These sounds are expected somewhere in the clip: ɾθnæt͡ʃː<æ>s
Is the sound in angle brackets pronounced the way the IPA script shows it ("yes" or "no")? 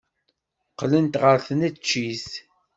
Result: no